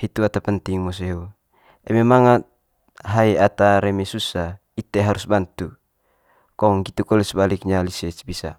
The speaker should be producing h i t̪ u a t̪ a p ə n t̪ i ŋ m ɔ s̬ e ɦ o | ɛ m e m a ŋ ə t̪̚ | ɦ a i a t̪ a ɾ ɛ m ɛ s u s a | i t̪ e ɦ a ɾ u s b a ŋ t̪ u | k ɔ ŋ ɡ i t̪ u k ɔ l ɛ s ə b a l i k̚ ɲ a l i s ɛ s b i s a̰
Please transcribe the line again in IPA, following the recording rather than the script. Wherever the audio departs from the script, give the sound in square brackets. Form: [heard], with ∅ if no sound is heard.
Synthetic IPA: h i t̪ u a t̪ a p ə n t̪ i ŋ m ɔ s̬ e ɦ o | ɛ m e m a ŋ [a] t̪̚ | ɦ a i a t̪ a ɾ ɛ m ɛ s u s a | i t̪ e ɦ a ɾ u s b a [n] t̪ u | k ɔ ŋ ɡ i t̪ u k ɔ l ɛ s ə b a l i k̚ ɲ a l i s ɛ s b i s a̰